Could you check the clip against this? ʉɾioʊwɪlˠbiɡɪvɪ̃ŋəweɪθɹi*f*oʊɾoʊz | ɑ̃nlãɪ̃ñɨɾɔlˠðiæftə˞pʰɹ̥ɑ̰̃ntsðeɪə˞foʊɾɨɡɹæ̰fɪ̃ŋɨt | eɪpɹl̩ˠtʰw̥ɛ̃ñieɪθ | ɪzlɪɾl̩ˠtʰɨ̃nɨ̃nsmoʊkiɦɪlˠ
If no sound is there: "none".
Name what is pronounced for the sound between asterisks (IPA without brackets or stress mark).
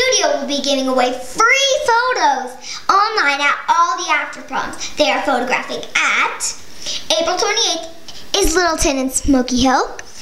f